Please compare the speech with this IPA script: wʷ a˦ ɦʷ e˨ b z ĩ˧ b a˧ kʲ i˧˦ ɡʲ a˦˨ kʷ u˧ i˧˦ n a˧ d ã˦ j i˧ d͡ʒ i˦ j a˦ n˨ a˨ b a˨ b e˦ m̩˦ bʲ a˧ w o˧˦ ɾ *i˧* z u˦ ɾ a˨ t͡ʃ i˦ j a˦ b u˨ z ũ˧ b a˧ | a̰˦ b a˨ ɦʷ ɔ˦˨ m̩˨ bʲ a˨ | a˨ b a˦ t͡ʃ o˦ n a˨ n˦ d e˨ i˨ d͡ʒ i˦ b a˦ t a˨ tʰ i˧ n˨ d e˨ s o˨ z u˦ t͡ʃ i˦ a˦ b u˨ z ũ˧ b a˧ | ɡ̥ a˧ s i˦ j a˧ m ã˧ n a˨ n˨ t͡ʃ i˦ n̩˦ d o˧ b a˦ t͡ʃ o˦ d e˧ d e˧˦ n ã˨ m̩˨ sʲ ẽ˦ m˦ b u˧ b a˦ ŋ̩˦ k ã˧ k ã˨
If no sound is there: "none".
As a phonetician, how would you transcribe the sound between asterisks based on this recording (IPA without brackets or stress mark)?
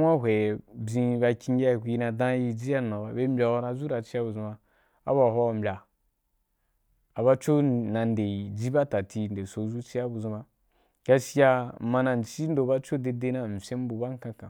a˧